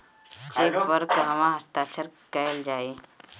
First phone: t͡ʃ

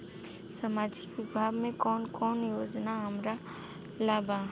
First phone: s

